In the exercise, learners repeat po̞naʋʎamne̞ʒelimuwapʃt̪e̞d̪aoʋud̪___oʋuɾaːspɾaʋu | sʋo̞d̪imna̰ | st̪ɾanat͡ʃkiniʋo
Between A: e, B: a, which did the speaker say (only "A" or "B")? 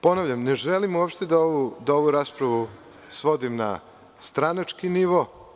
B